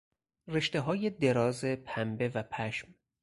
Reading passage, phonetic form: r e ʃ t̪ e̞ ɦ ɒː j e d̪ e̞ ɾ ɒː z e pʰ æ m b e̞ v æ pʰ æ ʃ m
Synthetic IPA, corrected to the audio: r e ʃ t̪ e̞ ɦ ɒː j e d̪ e̞ ɾ ɒː z e pʰ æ m b e̞ v æ pʰ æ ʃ m

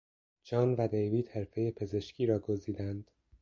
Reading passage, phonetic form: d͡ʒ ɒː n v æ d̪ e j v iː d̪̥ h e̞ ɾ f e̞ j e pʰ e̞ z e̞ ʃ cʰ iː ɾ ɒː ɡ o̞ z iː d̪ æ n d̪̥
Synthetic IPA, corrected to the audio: d͡ʒ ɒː n v æ d̪ e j v iː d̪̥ h e̞ ɾ f e̞ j e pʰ e̞ z e̞ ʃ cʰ iː ɾ ɒː ɡ o̞ z iː d̪ æ n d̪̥

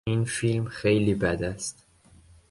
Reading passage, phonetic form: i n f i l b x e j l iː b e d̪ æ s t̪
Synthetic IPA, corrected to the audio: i n f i l m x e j l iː b æ d̪ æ s t̪

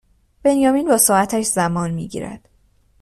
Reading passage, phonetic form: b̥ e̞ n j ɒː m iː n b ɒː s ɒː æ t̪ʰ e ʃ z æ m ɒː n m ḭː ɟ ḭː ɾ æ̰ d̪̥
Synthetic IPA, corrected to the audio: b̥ e̞ n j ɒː m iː n b ɒː s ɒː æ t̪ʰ æ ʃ z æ m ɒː n m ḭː ɟ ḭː ɾ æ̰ d̪̥

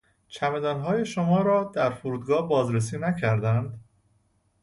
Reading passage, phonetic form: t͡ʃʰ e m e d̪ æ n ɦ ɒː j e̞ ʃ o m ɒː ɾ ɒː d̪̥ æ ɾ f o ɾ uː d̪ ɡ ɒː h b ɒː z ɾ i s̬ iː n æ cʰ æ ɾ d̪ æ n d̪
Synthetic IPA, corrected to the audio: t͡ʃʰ æ m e d̪ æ n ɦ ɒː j e̞ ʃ o m ɒː ɾ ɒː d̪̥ æ ɾ f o ɾ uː d̪ ɡ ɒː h b ɒː z ɾ e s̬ iː n æ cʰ æ ɾ d̪ æ n d̪

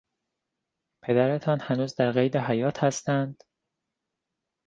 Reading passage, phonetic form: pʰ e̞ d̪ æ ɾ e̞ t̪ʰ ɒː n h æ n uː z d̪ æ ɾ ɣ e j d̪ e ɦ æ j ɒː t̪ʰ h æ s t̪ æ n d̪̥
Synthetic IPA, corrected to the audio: pʰ e̞ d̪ æ ɾ e̞ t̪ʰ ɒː n h æ n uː z d̪ æ ɾ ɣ e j d̪ e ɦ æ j ɒː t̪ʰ h æ s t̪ æ n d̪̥

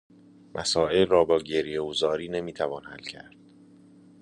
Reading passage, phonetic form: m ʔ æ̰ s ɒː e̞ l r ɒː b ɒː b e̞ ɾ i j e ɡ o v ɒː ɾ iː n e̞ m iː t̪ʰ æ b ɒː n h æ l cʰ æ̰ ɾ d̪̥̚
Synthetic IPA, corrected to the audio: m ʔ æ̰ s ɒː e̞ l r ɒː b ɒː ɟ e̞ ɾ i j e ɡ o z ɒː ɾ iː n e̞ m iː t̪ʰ æ v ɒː n h æ l cʰ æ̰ ɾ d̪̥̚

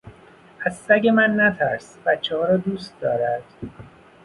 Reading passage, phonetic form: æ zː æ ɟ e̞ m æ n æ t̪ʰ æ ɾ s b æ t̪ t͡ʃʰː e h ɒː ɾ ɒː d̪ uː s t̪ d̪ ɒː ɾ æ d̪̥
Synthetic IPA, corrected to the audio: æ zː æ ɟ e̞ m æ nː æ t̪ʰ æ ɾ s b æ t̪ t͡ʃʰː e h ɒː ɾ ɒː d̪ uː s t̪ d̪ ɒː ɾ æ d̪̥

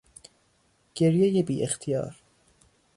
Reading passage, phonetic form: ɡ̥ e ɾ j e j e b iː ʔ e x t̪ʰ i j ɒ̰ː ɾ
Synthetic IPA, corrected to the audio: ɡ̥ e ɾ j e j e b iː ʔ e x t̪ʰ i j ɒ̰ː ɾ

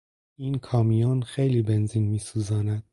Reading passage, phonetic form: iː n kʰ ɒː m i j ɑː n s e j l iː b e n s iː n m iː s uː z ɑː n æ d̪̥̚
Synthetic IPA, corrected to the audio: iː n kʰ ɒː m i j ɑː n x e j l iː b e n z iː n m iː s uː z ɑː n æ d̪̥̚

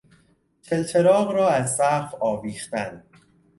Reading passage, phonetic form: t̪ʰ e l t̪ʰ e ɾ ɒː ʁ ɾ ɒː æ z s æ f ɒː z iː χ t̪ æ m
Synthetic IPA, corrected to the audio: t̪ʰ e l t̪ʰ e ɾ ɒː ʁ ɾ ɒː æ z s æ f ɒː v iː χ t̪ æ n

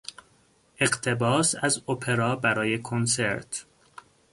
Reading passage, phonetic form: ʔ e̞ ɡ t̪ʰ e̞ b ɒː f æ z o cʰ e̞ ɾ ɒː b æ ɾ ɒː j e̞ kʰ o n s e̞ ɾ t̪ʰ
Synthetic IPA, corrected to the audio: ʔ e̞ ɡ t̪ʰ e̞ b ɒː s æ z o pʰ e̞ ɾ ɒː b æ ɾ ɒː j e̞ kʰ o n s e̞ ɾ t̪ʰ

